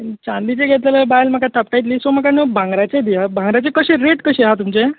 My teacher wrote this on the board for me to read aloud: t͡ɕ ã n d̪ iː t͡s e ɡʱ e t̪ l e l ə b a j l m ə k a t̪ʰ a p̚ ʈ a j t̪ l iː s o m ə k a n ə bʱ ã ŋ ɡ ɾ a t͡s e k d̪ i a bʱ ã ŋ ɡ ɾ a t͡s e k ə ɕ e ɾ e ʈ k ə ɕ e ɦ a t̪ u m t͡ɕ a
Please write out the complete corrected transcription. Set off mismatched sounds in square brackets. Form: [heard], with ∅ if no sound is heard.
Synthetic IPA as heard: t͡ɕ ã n d̪ [i] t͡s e ɡʱ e t̪ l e l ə b a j l m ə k a t̪ʰ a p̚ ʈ a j t̪ l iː s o m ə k a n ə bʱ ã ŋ ɡ ɾ a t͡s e [∅] d̪ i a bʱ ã ŋ ɡ ɾ a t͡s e k ə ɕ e ɾ e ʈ k ə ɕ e ɦ a t̪ u m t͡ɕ [e]